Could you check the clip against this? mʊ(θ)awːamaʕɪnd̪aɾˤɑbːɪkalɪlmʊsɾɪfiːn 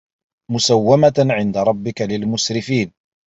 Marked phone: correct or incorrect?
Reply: incorrect: s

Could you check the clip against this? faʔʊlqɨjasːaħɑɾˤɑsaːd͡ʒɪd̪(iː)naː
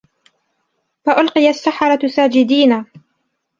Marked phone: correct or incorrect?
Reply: correct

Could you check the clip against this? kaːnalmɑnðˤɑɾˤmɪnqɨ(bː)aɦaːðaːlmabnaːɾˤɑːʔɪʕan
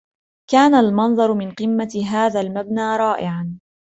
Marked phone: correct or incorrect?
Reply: incorrect: mː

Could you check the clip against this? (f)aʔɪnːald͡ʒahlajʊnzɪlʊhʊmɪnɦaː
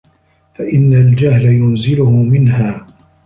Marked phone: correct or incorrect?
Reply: correct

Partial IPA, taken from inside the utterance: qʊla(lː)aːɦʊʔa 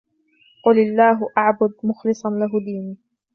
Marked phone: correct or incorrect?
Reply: correct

